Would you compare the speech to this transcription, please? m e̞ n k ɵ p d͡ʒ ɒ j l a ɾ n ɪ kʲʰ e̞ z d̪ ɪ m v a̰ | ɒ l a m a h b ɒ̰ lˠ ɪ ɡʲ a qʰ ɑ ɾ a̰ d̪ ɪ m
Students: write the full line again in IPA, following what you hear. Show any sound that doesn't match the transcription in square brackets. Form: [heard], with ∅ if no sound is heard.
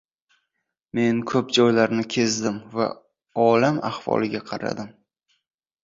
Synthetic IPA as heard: m e̞ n [kʰ] ɵ p d͡ʒ ɒ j l a ɾ n ɪ kʲʰ e̞ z d̪ ɪ m v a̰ | ɒ l a m a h [v] ɒ̰ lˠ ɪ ɡʲ a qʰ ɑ ɾ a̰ d̪ ɪ m